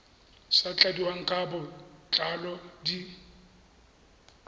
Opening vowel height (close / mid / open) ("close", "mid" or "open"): open